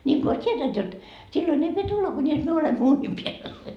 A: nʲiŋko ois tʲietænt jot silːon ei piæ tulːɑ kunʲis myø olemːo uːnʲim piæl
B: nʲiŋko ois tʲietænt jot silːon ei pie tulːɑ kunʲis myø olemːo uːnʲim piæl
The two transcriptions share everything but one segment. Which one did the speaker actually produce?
B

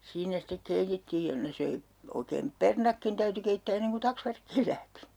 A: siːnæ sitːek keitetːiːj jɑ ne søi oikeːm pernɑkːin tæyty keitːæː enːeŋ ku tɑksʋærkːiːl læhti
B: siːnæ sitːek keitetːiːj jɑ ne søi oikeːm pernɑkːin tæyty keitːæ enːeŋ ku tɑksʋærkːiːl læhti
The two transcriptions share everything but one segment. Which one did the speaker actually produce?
A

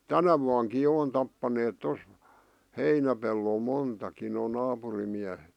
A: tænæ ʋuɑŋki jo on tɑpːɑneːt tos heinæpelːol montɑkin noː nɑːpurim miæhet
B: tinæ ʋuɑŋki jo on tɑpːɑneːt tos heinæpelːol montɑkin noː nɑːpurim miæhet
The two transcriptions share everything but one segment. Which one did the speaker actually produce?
A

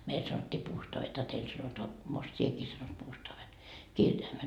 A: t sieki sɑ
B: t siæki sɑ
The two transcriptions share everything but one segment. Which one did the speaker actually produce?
A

